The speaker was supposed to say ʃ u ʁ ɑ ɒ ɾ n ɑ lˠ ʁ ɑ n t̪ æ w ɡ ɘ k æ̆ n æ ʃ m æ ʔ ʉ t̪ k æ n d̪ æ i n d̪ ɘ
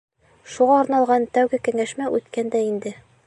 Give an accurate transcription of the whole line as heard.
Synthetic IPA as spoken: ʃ u ʁ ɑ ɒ ɾ n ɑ lˠ ʁ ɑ n t̪ æ w ɡ ɘ k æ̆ ŋ æ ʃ m æ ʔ ʉ t̪ k æ n d̪ æ i n d̪ ɘ